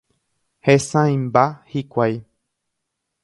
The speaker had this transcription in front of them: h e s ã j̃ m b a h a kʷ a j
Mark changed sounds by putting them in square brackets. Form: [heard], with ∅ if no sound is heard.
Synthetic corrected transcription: h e s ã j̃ m b a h [i] kʷ a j

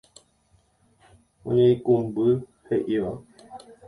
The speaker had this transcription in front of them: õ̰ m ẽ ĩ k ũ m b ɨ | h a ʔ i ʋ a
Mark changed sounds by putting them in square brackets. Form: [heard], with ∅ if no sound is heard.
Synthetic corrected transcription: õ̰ [ɲ] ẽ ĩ k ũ m b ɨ | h [e] ʔ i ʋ a

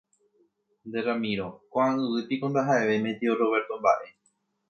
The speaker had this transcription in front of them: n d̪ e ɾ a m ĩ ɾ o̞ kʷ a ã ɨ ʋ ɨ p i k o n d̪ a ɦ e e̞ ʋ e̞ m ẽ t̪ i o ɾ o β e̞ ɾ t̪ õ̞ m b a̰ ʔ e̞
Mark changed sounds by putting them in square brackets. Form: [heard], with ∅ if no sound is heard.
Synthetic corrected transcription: n d̪ e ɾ a m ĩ ɾ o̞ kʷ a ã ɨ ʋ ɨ p i k o n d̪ a ɦ [a] e̞ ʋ e̞ m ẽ t̪ i o ɾ o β e̞ ɾ t̪ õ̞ m b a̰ ʔ e̞

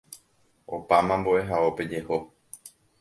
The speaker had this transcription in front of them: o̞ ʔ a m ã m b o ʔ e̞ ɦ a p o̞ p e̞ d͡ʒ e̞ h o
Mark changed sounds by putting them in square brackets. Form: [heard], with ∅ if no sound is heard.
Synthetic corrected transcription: o̞ [p] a m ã m b o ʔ e̞ ɦ a [∅] o̞ p e̞ d͡ʒ e̞ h o

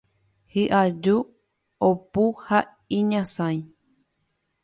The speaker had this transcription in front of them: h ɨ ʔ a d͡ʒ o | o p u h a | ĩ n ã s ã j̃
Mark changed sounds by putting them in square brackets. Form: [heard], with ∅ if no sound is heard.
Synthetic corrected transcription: h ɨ ʔ a d͡ʒ [u] | o p u h a | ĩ [ɲ] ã s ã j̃

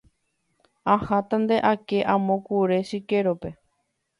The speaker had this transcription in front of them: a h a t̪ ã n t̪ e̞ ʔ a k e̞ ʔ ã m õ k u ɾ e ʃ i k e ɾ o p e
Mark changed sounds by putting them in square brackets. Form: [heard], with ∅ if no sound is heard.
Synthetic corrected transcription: a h a t̪ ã n [d̪] e̞ ʔ a k e̞ ʔ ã m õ k u ɾ e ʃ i k e ɾ o p e

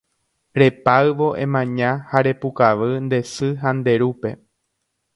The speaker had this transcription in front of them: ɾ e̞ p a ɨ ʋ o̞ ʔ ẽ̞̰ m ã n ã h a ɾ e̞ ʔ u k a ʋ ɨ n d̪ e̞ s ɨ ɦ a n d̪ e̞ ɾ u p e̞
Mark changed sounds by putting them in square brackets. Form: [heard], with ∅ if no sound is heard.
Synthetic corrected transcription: ɾ e̞ p a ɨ ʋ o̞ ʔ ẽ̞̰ m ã [ɲ] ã h a ɾ e̞ [p] u k a ʋ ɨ n d̪ e̞ s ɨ ɦ a n d̪ e̞ ɾ u p e̞

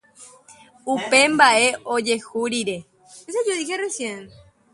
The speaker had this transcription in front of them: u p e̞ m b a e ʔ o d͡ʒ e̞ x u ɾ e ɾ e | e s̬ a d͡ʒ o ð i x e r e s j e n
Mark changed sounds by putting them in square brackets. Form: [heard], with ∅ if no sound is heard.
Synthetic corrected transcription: u p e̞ m b a e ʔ o d͡ʒ e̞ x u ɾ [i] ɾ e | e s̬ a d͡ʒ o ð i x e r e s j e n

